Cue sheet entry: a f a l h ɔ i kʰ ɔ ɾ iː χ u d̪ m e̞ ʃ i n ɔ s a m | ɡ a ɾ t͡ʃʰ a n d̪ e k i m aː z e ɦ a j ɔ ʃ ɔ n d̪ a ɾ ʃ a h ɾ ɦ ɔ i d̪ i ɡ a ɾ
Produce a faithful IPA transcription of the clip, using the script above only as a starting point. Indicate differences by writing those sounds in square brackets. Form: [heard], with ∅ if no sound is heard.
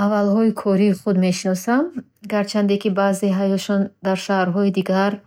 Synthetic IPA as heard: a [v] a l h ɔ i kʰ ɔ ɾ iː χ u d̪ m e̞ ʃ i n ɔ s a m | ɡ a ɾ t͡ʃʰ a n d̪ e k i [b] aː z e ɦ a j ɔ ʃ ɔ n d̪ a ɾ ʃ a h ɾ ɦ ɔ i d̪ i ɡ a ɾ